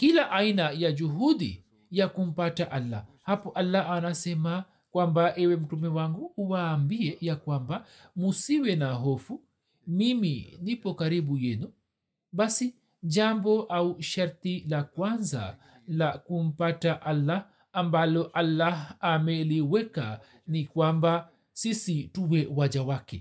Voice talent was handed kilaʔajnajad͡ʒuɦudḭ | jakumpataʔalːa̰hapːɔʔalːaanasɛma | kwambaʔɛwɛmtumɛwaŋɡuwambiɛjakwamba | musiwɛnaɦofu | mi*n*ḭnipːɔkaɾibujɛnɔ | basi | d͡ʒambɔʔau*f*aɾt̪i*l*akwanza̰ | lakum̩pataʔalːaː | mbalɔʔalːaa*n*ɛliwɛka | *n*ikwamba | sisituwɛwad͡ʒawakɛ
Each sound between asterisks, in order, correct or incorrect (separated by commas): incorrect, incorrect, correct, incorrect, correct